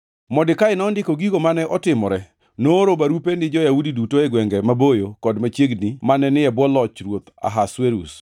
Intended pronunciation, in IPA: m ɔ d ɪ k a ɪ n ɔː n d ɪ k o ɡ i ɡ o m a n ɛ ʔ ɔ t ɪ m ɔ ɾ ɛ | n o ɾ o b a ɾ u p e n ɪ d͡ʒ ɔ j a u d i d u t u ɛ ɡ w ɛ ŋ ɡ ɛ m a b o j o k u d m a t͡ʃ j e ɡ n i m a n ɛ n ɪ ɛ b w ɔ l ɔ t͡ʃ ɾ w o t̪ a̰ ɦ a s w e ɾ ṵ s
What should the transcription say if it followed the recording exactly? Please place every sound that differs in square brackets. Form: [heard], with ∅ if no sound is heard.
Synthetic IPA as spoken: m ɔ d ɪ k a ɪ n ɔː n d ɪ k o ɡ i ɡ o m a n ɛ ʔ ɔ t ɪ m ɔ ɾ ɛ | n o ɾ o b a ɾ u p e n ɪ d͡ʒ ɔ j a u d i d u t [o] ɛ ɡ w ɛ ŋ ɡ ɛ m a b o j o k [ɔ] d m a t͡ʃ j e ɡ n i m a n ɛ n ɪ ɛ b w ɔ l ɔ t͡ʃ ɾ w o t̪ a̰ ɦ a s w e ɾ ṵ s